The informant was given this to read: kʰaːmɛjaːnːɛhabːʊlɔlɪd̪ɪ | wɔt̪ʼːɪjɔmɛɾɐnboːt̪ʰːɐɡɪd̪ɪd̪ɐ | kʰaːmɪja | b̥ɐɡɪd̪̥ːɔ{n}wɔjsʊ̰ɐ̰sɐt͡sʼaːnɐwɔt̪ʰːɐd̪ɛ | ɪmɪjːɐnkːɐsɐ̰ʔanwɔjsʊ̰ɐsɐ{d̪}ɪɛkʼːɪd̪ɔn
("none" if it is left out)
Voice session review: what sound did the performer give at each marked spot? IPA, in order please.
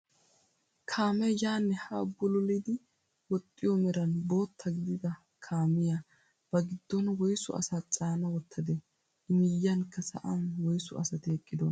n, t̪

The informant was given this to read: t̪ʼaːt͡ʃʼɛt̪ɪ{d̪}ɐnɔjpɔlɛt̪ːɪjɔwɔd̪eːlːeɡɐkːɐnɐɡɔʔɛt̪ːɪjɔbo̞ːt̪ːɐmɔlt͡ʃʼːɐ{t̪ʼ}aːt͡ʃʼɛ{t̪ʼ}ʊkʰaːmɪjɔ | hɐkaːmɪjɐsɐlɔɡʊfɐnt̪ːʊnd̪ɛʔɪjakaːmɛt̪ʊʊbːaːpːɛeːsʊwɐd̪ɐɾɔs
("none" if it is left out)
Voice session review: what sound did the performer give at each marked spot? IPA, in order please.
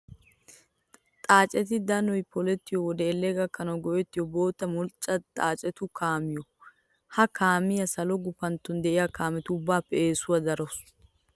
d̪, t̪ʼ, t̪

